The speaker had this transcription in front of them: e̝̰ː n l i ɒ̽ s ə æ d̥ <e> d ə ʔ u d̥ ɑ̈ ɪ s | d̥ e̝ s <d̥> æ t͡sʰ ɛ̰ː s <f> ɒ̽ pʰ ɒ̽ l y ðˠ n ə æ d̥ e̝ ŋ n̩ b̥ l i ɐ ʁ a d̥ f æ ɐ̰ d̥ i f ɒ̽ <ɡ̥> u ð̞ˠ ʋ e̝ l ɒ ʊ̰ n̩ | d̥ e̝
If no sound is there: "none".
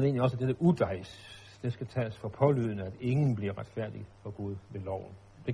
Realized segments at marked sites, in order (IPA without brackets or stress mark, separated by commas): e, ɡ̥, f, ɡ̥